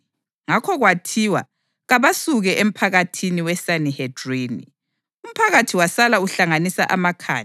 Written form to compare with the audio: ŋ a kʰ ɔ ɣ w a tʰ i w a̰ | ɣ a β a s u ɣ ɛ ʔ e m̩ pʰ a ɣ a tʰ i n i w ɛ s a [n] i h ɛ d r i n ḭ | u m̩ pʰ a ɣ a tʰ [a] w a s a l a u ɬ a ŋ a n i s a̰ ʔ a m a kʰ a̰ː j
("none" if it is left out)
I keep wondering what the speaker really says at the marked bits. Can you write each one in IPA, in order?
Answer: n, i

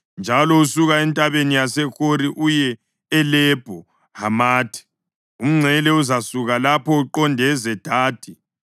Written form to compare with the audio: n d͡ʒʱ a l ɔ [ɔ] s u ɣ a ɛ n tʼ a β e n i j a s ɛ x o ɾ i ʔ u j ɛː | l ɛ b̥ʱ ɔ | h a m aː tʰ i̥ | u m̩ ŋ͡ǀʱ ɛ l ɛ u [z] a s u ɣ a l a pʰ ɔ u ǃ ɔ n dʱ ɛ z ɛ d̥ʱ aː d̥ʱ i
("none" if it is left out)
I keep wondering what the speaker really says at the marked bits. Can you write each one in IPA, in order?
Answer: u, z

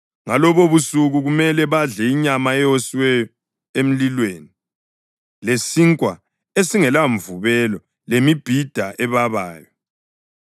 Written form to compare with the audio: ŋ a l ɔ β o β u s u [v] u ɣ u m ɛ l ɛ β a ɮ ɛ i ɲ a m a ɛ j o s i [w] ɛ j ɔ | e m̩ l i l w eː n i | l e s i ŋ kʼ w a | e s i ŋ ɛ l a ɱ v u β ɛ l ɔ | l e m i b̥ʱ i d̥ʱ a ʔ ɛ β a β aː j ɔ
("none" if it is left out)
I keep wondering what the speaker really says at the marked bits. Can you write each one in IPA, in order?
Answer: ɣ, w

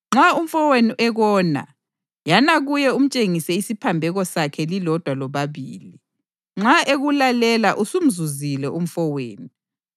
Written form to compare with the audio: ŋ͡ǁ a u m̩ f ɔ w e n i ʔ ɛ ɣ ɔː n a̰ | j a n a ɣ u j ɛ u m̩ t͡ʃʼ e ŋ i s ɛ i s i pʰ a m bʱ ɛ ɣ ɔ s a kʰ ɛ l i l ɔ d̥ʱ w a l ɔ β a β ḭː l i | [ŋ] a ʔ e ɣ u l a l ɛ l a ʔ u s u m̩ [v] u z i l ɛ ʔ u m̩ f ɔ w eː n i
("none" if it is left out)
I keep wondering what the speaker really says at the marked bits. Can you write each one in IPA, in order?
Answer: ŋ͡ǁ, z

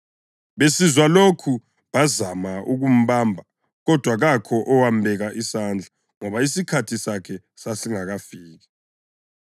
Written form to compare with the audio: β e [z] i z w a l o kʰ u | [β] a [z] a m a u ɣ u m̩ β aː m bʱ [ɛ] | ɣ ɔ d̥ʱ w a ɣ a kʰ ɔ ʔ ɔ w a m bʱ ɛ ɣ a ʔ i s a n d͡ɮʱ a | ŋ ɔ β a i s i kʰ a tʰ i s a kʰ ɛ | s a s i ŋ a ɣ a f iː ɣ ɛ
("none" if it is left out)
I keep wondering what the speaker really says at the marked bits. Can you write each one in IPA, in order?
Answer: s, β, z, a

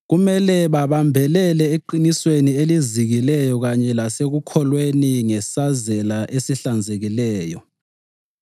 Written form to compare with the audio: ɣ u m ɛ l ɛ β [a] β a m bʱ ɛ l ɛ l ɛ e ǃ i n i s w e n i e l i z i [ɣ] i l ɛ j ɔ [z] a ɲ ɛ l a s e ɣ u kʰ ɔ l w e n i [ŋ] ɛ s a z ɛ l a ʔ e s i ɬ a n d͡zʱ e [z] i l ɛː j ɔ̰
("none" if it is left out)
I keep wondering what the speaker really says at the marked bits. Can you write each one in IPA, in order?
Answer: a, ɣ, ɣ, ŋ, ɣ

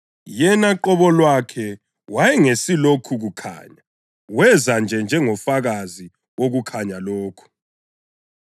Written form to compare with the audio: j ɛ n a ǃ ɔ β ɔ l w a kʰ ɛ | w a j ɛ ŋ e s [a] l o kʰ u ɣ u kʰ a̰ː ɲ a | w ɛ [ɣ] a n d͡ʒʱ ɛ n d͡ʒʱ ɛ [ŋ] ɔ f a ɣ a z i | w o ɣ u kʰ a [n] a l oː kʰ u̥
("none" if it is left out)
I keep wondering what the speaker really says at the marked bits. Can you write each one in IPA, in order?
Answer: i, z, ŋ, ɲ

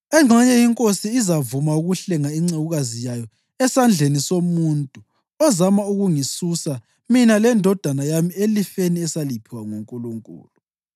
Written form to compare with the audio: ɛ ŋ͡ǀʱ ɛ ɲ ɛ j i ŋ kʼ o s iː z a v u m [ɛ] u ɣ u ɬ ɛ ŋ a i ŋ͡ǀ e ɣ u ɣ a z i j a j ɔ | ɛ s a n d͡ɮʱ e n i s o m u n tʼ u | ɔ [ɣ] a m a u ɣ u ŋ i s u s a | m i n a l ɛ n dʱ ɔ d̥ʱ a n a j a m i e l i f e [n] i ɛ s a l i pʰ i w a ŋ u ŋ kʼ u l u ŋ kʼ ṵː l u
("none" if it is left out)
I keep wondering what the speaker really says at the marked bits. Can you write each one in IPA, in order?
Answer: a, z, n

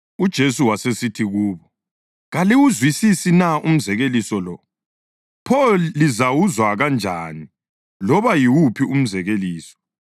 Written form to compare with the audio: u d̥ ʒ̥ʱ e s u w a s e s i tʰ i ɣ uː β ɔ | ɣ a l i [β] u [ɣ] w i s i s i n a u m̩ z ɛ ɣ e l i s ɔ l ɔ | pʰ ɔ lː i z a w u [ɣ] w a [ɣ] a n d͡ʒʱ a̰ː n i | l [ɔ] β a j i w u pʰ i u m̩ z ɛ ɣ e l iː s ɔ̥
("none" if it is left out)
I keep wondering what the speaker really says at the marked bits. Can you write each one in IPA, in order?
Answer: w, z, z, ɣ, ɔ

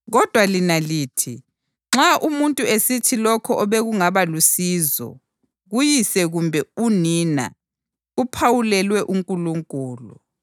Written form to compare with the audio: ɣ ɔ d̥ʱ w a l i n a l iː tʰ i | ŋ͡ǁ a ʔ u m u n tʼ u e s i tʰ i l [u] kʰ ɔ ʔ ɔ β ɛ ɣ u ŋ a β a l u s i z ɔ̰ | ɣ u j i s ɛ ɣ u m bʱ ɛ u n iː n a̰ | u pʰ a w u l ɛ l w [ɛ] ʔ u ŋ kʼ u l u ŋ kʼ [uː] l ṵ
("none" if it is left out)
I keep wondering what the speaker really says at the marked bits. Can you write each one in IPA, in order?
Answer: ɔ, ɛ, uː

